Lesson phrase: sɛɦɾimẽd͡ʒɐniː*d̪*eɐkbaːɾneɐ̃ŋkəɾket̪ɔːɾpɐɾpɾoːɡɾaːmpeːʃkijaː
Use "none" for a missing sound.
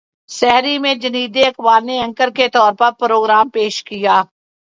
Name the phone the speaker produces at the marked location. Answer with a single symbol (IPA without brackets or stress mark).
d̪